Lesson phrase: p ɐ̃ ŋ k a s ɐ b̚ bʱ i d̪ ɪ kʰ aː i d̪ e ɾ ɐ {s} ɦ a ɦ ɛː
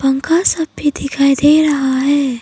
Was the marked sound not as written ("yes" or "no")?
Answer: yes